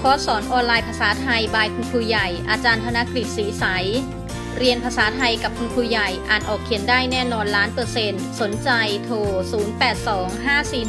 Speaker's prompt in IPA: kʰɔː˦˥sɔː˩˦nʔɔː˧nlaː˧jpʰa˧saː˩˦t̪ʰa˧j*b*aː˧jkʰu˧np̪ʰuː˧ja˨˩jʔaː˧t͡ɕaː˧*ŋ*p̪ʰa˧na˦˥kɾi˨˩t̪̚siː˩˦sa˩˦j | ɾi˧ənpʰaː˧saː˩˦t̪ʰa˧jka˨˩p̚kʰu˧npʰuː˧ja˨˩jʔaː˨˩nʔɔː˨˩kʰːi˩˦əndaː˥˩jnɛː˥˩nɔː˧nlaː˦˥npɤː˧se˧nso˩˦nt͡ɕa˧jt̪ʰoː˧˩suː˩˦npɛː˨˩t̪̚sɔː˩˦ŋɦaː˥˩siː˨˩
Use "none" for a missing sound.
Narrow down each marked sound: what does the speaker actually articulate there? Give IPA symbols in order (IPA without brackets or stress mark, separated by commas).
b, n